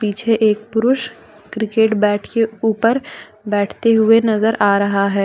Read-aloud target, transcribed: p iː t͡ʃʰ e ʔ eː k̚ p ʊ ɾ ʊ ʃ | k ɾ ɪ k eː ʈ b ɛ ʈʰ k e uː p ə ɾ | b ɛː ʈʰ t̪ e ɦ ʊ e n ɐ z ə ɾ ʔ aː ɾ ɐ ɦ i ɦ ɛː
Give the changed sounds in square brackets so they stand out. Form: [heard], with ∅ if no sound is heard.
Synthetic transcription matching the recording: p iː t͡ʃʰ e ʔ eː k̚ p ʊ ɾ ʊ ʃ | k ɾ ɪ k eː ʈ b [ɛː] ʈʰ k e uː p ə ɾ | b ɛː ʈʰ t̪ e ɦ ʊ e n ɐ z ə ɾ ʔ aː ɾ ɐ ɦ [a] ɦ ɛː